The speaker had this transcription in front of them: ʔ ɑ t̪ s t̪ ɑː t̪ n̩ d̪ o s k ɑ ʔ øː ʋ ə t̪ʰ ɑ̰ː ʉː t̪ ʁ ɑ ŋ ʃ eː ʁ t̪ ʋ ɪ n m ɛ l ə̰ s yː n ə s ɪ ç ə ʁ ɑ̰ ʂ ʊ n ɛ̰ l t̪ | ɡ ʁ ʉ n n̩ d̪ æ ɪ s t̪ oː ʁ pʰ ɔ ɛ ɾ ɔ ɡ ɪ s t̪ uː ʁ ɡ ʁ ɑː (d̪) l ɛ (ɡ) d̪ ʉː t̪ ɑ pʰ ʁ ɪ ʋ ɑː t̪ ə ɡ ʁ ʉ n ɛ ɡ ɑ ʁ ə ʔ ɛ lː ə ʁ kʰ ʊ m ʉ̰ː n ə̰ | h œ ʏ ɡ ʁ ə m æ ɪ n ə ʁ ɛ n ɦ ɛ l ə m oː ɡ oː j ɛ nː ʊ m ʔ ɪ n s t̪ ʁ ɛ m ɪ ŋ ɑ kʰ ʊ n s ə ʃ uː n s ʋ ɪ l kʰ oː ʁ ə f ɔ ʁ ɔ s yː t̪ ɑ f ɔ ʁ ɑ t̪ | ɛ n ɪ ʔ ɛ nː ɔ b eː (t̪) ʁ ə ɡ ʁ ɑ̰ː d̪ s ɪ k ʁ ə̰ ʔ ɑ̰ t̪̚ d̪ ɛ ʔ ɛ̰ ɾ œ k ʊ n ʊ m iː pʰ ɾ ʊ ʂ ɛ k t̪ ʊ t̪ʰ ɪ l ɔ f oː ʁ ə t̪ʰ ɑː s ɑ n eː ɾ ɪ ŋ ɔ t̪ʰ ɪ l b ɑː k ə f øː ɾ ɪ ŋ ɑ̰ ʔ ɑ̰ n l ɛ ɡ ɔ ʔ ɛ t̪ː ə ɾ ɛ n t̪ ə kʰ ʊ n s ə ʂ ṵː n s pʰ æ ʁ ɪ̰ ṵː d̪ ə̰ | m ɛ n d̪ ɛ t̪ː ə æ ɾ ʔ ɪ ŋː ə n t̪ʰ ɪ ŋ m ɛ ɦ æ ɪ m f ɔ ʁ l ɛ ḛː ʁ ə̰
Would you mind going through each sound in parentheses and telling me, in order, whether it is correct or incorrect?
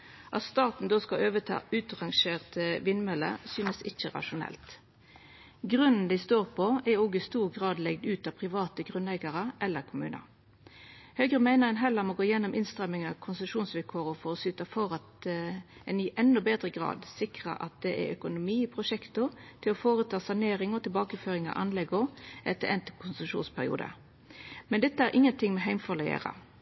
correct, correct, incorrect: d̪

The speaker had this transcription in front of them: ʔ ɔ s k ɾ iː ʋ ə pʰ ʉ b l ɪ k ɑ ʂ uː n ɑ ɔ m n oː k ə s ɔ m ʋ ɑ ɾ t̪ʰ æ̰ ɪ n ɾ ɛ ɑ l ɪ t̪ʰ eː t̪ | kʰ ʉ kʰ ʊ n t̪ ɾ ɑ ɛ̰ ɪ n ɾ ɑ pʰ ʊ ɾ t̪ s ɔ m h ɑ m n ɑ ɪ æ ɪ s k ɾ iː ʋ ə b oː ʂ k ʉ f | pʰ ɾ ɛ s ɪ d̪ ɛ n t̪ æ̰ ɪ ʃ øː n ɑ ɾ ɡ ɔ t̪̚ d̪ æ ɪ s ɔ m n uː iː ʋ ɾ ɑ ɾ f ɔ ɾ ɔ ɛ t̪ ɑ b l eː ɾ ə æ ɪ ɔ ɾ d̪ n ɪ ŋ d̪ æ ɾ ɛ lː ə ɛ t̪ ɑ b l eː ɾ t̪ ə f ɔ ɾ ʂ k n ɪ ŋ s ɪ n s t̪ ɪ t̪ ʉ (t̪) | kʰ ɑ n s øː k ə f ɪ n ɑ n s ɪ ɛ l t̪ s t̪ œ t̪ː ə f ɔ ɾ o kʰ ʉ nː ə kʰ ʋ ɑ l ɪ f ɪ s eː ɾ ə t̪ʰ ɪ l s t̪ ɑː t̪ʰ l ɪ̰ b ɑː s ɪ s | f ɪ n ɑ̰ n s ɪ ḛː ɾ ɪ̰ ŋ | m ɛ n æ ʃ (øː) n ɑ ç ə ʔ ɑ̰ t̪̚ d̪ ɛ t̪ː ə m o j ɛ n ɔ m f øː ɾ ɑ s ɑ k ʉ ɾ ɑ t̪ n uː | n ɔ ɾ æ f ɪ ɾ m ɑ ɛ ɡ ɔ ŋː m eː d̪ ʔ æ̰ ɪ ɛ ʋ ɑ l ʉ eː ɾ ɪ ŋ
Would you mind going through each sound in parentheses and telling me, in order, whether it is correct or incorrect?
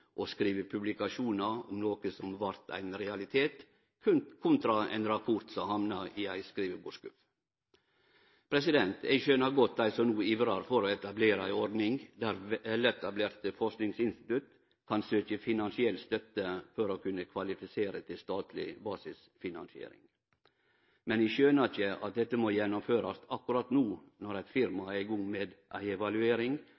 correct, correct

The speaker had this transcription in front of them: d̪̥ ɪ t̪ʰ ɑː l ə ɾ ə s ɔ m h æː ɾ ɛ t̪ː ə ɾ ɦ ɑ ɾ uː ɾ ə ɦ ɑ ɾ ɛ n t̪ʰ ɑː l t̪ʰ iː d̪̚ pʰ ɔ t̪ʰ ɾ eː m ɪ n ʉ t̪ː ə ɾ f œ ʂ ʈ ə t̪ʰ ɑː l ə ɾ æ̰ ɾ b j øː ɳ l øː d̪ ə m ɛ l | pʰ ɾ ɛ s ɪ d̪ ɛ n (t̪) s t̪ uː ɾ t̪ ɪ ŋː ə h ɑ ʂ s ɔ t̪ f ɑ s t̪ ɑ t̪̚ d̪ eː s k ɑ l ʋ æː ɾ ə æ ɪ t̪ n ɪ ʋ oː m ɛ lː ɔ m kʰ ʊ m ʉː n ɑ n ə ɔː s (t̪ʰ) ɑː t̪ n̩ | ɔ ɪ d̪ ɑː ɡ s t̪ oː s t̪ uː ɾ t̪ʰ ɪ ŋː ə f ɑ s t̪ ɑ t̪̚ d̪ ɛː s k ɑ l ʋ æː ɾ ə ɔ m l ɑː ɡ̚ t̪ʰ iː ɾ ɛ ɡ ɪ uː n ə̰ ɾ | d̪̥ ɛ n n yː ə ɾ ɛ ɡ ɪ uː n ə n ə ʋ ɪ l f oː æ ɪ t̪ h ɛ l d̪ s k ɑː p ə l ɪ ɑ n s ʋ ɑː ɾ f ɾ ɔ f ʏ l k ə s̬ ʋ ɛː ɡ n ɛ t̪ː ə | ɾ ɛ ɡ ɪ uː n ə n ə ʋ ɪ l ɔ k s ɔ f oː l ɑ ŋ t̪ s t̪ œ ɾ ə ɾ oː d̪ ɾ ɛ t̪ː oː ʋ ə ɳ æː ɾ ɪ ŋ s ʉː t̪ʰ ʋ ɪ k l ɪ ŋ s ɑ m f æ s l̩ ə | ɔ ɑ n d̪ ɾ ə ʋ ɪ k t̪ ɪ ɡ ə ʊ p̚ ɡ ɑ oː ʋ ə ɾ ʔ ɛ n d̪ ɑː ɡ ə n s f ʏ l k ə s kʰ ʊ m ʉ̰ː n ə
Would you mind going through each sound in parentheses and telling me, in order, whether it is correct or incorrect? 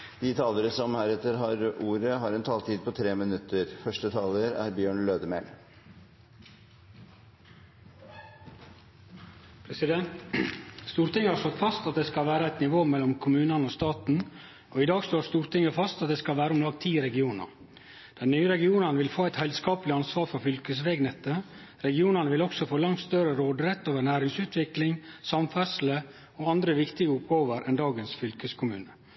correct, incorrect: t̪

